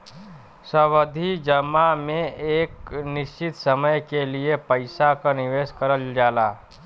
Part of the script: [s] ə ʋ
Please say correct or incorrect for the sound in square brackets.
correct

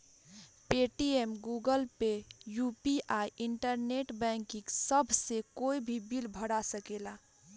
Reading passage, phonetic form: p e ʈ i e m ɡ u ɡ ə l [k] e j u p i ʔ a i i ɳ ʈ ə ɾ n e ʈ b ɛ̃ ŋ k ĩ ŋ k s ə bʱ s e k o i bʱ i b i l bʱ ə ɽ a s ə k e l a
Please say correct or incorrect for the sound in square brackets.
incorrect: p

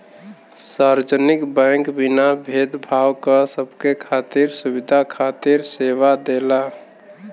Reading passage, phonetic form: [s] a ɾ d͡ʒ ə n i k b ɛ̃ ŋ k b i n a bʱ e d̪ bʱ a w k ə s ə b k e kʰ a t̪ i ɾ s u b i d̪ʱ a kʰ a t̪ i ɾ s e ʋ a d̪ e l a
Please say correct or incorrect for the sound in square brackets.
correct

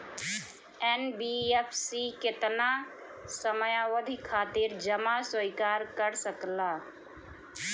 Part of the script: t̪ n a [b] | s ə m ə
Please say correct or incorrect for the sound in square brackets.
incorrect: none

